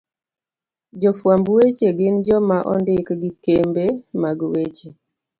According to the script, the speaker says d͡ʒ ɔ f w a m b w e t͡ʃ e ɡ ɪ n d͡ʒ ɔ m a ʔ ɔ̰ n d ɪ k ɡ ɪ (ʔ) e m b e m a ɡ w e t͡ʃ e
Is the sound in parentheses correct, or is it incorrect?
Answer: incorrect: k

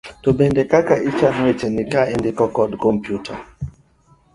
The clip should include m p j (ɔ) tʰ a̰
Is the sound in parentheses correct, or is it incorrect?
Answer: incorrect: u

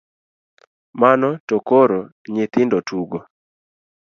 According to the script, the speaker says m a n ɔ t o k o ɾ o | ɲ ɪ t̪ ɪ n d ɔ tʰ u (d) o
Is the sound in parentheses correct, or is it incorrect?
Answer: incorrect: ɡ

